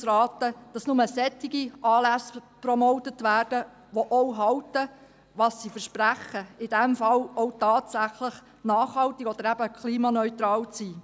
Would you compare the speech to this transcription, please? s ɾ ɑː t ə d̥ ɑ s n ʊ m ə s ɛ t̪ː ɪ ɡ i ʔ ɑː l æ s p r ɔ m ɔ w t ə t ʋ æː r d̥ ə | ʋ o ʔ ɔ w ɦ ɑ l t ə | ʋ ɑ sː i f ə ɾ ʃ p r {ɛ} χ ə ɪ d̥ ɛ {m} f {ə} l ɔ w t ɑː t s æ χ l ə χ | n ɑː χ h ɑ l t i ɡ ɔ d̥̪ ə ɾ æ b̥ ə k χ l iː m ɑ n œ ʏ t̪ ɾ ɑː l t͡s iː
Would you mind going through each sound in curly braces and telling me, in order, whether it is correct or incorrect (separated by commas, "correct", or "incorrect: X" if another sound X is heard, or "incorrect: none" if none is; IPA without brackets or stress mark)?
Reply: incorrect: æ, correct, incorrect: ɑ